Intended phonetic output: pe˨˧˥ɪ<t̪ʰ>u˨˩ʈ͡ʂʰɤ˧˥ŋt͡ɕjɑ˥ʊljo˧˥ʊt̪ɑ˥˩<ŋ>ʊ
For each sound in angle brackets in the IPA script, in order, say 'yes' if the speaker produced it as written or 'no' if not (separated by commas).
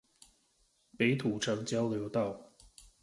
yes, no